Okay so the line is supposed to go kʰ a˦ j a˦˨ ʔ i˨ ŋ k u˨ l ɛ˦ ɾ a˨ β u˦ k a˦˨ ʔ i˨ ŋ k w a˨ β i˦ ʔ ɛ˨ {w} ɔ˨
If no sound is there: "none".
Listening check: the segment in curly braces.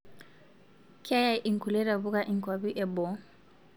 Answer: b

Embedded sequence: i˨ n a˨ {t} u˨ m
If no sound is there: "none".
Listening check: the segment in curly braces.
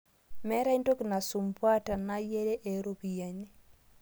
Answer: s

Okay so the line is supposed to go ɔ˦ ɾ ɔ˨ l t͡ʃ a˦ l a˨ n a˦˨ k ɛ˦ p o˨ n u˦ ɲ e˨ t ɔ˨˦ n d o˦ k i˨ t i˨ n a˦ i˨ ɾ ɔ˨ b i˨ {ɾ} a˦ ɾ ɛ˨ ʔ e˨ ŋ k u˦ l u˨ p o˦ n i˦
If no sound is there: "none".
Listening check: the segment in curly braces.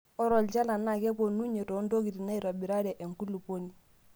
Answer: ɾ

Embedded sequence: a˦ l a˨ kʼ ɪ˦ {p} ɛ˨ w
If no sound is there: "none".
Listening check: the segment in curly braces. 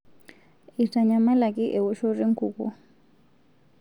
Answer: ʔ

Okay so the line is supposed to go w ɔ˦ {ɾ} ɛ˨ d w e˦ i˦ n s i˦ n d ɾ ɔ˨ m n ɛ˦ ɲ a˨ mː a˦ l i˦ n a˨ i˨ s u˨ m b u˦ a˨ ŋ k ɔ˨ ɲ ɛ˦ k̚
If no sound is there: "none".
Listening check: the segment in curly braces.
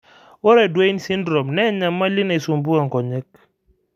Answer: ɾ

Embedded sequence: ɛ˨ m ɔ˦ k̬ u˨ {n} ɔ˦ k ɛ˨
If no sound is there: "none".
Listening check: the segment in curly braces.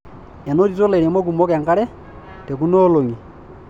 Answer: m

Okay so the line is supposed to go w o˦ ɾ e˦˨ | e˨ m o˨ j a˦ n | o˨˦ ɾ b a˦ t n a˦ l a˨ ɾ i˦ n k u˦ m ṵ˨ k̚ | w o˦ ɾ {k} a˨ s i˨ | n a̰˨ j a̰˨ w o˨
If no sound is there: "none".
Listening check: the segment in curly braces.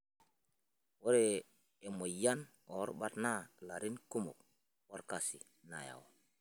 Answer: k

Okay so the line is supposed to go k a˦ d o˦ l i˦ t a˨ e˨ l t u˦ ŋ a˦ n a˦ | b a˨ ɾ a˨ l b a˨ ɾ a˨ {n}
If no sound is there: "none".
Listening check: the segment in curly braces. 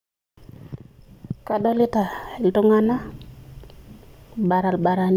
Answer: n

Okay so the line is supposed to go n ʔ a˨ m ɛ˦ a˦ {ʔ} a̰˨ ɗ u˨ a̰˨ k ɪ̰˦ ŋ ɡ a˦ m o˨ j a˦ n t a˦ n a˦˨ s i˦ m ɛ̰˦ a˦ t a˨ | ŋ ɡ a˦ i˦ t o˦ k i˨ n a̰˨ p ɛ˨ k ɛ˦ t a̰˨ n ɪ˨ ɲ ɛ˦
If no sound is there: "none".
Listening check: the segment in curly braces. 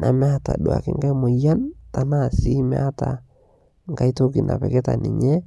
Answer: t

